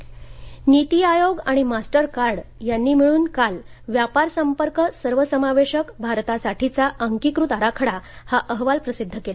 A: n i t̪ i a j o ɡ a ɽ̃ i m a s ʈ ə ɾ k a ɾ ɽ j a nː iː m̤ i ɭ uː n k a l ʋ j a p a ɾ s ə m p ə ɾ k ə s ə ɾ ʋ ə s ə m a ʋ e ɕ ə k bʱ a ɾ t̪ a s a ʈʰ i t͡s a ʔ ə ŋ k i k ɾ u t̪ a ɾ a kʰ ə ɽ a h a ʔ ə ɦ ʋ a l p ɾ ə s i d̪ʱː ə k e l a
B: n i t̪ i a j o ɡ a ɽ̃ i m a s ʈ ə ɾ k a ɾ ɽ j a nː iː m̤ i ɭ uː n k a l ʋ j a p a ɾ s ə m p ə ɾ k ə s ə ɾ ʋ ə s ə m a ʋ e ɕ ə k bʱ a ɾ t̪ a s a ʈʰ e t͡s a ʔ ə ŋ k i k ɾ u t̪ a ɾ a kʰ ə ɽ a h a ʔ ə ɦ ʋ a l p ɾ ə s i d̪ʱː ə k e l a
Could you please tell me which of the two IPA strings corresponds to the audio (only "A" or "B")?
A